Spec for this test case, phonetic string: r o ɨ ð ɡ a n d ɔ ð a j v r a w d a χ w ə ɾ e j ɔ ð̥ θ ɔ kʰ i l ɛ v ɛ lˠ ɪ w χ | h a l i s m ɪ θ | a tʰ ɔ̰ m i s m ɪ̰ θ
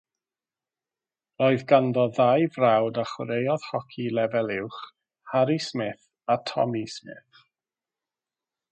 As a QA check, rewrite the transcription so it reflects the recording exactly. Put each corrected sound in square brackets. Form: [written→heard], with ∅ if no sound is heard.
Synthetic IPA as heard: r o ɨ ð ɡ a n d ɔ ð a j v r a w d a χ w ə ɾ e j ɔ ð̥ [θ→h] ɔ kʰ i l ɛ v ɛ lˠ ɪ w χ | h a [l→ɾ] i s m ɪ θ | a tʰ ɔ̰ m i s m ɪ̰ θ